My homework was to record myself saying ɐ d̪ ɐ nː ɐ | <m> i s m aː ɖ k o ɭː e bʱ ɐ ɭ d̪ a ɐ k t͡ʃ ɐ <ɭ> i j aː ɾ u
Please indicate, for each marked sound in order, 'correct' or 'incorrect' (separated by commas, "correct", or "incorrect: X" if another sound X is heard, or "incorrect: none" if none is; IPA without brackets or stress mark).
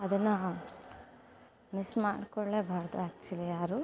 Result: correct, incorrect: l